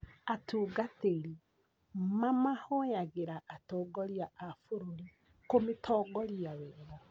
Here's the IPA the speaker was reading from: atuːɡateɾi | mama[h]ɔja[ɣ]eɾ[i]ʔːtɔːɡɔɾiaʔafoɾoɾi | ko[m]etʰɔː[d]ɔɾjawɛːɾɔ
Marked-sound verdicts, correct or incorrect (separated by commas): correct, correct, incorrect, correct, incorrect